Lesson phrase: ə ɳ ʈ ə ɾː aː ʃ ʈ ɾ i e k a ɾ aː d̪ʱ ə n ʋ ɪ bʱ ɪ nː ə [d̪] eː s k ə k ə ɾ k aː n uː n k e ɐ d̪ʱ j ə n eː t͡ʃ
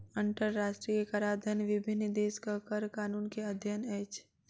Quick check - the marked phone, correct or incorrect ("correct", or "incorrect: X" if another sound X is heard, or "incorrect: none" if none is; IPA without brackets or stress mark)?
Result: correct